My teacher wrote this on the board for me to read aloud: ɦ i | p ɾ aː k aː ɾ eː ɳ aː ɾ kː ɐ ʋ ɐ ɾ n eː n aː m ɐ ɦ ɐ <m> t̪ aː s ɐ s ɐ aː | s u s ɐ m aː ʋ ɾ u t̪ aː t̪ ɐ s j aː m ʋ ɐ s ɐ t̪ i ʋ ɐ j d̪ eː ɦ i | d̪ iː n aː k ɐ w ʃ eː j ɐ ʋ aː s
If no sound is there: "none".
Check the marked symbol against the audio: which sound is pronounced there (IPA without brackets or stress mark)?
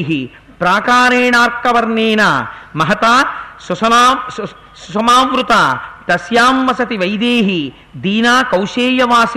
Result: none